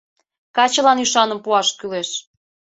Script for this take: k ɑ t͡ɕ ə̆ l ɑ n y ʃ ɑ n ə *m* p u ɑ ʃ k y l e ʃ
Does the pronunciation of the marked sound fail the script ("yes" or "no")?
no